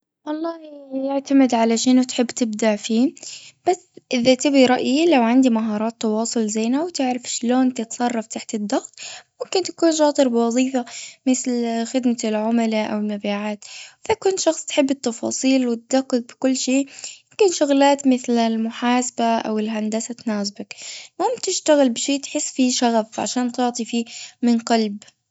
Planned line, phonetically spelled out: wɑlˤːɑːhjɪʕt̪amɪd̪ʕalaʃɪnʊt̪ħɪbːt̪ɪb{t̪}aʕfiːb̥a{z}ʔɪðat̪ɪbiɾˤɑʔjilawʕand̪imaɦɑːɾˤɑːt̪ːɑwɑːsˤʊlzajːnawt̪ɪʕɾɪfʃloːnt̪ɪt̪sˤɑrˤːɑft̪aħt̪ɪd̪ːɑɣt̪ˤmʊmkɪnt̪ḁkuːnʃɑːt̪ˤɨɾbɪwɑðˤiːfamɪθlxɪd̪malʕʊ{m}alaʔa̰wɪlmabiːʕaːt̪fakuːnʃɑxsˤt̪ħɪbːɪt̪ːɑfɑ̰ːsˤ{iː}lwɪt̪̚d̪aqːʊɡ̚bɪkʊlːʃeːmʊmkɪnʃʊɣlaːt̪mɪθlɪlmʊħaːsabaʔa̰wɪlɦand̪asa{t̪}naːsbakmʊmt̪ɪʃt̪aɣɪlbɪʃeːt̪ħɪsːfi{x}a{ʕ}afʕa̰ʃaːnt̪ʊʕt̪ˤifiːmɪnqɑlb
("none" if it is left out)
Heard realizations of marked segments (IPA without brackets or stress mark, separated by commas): d̪, s, m, iː, t̪, ʃ, ɣ